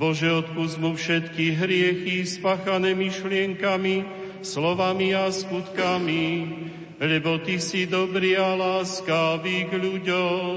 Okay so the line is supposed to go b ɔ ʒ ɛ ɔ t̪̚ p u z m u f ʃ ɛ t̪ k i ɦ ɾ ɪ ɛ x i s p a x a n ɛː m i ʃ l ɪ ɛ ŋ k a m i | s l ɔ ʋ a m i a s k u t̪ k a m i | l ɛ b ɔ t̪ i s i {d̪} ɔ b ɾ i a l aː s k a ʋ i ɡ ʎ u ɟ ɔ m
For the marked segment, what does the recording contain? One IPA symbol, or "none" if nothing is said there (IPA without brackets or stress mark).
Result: d̪